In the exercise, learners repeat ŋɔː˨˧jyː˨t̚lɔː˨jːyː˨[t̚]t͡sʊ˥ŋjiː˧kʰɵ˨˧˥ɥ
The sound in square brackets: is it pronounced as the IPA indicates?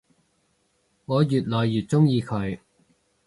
yes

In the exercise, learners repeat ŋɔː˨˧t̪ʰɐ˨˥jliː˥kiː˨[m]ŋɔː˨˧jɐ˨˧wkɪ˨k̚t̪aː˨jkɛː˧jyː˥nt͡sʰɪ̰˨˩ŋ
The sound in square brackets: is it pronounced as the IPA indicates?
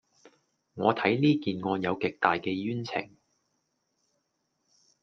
no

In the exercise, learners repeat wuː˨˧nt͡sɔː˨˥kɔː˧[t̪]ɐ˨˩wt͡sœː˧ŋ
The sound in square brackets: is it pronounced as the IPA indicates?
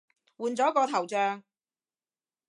no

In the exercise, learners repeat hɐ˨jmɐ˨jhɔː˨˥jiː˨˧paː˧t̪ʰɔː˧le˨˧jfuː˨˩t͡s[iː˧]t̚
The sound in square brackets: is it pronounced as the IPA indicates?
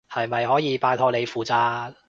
no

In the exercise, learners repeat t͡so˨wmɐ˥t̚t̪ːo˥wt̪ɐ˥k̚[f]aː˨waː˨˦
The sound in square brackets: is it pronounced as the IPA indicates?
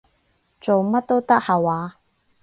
no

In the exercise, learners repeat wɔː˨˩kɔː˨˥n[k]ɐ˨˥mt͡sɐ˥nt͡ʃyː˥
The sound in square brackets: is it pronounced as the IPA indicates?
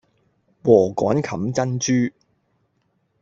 no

